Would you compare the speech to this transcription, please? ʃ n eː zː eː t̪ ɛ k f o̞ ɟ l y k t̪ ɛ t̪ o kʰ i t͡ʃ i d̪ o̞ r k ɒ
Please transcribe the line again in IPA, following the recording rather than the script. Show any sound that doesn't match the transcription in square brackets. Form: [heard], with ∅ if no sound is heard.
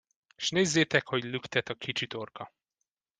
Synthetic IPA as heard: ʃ n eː zː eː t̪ ɛ k [h] o̞ ɟ l y k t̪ ɛ t̪ [ɒ] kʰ i t͡ʃ i [t̪] o̞ r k ɒ